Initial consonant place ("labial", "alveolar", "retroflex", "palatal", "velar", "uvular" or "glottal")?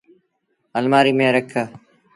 alveolar